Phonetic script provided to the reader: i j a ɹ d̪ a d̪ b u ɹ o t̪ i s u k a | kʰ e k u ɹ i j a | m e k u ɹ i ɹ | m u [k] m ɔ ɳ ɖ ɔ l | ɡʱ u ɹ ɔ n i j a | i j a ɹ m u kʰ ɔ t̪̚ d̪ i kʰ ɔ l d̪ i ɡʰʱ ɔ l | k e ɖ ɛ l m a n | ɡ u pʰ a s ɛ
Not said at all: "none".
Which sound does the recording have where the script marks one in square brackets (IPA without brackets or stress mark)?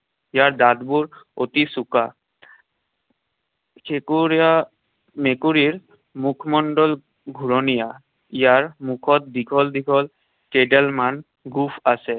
kʰ